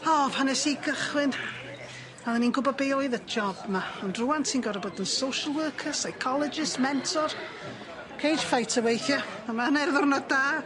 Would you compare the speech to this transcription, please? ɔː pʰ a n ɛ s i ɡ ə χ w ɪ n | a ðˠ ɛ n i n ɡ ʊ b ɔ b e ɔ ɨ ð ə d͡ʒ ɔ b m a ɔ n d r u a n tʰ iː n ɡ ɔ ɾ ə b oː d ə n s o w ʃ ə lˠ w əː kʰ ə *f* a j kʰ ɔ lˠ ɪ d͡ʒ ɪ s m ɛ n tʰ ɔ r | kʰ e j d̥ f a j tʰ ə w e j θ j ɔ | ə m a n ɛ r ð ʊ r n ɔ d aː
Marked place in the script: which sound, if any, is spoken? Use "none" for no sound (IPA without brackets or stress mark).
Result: s